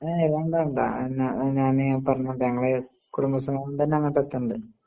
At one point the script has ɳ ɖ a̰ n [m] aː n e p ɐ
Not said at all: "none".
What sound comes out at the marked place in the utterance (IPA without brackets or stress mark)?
ɲ